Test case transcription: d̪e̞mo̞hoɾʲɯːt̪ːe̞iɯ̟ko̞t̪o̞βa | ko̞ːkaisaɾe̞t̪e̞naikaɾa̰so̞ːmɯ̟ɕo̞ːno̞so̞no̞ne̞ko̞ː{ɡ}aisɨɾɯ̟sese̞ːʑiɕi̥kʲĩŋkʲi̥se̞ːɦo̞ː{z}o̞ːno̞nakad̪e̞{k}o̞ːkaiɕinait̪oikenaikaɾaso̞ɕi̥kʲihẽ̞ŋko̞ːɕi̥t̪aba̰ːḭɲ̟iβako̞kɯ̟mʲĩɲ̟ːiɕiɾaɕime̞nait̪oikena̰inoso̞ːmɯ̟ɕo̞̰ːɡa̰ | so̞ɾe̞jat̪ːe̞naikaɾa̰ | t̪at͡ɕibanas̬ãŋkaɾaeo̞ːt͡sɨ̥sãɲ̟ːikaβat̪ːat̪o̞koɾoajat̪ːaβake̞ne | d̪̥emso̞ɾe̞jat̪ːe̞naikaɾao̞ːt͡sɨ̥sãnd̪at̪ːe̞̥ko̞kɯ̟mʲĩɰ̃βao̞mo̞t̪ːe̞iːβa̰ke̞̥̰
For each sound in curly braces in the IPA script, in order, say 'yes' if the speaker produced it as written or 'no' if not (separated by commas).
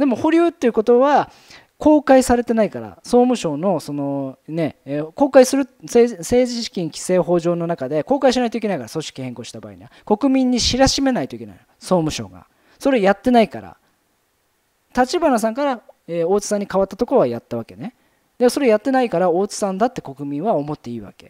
no, no, yes